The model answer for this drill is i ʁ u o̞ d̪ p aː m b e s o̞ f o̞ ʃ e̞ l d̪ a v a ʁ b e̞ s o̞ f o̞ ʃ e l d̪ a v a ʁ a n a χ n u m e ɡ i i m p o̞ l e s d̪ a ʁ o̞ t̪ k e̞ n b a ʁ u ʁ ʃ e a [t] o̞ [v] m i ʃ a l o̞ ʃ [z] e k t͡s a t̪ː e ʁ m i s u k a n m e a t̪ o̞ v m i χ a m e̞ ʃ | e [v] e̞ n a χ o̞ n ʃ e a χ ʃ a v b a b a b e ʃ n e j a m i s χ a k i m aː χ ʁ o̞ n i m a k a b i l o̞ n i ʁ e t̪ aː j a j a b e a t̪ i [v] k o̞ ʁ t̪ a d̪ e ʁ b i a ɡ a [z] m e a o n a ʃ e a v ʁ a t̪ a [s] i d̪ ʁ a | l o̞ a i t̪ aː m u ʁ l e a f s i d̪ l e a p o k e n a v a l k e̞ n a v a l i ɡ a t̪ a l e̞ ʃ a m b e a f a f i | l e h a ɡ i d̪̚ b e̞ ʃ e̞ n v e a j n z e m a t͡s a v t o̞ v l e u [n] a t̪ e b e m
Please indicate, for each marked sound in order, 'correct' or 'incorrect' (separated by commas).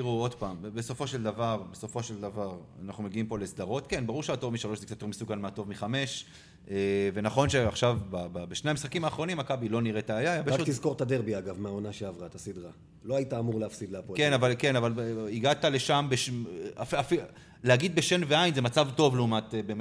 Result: correct, correct, correct, correct, incorrect, incorrect, correct, incorrect